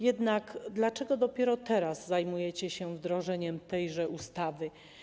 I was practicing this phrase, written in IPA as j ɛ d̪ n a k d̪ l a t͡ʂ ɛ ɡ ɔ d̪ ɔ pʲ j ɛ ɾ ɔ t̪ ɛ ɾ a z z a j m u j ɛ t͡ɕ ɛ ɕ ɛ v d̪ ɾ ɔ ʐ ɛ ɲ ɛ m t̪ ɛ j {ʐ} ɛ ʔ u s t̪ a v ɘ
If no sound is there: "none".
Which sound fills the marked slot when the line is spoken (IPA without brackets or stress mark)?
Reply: ʐ